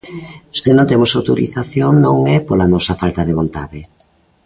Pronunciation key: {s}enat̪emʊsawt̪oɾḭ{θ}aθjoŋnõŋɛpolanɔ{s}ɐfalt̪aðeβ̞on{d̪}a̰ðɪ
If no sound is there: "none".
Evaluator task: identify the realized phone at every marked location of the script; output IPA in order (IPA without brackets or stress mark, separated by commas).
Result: s, θ, s, t̪